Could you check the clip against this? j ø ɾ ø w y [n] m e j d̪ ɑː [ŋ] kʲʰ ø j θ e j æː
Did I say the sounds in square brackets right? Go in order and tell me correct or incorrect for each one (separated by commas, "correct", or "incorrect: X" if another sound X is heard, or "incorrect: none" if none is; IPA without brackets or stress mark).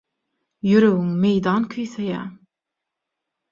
incorrect: ŋ, incorrect: n